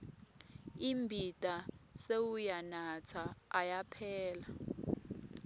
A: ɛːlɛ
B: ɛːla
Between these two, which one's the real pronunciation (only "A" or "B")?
B